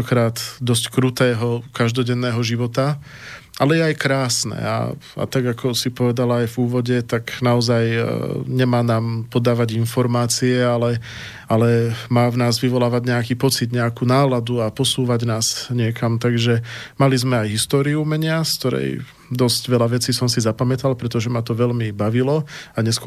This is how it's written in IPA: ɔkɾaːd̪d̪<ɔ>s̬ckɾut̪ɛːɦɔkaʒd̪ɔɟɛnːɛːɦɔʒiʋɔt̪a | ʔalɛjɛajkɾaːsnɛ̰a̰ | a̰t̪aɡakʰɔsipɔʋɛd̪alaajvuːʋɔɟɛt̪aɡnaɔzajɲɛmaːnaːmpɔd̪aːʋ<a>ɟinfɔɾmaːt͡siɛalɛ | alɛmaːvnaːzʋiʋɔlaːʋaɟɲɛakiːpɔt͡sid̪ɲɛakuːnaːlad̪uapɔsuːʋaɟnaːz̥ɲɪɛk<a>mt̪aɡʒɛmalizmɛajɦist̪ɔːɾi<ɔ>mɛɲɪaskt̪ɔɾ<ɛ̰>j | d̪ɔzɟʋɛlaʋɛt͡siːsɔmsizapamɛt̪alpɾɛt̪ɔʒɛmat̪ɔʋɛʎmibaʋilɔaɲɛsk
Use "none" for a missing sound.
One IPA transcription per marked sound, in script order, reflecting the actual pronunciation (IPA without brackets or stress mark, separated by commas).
ɔ, a, a, u, ɛ̰